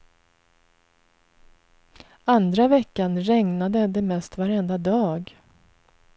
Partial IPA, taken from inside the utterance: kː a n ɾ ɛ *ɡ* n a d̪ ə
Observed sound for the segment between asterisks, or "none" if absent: ŋ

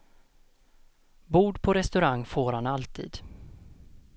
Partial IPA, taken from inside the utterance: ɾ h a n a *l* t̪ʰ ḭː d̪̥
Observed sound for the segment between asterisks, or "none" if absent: l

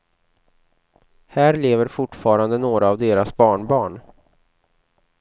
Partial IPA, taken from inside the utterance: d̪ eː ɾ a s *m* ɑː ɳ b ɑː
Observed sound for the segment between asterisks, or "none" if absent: b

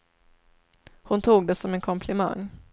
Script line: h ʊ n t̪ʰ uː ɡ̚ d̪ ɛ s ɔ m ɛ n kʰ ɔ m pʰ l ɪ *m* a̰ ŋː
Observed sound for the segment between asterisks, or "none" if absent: m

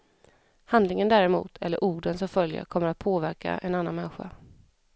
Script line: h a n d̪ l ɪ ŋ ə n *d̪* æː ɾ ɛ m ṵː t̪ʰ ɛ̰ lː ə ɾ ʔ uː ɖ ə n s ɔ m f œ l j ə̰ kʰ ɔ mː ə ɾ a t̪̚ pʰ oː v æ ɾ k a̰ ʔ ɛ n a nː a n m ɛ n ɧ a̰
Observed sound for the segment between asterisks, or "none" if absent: d̪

